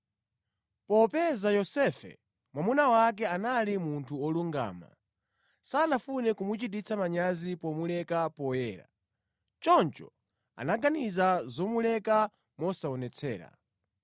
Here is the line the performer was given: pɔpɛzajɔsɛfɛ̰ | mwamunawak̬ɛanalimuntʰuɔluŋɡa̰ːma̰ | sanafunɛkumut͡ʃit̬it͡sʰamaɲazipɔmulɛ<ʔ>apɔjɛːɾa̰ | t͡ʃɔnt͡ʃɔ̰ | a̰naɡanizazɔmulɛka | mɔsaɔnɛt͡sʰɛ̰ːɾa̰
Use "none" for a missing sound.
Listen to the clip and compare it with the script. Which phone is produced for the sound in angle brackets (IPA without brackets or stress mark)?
k